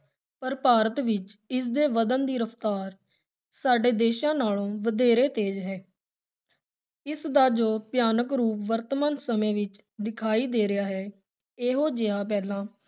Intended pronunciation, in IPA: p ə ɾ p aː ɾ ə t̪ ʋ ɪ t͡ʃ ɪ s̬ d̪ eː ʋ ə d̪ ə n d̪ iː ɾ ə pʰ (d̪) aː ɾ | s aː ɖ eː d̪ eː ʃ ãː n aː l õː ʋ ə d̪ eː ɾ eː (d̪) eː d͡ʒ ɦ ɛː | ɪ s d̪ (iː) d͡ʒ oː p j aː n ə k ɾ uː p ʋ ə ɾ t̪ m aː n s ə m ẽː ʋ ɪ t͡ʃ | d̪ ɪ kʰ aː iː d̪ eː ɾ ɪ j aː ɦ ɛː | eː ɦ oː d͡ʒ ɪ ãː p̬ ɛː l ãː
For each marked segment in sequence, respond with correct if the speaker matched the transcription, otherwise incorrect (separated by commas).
incorrect, incorrect, incorrect